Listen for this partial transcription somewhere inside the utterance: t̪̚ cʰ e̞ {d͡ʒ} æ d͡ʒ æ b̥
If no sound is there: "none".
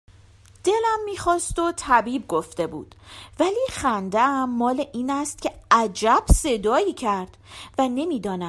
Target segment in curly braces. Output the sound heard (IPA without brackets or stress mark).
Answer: none